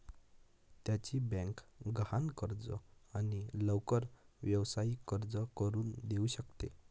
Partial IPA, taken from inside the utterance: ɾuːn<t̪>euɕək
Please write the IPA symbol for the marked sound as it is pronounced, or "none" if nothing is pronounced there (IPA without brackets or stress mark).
d̪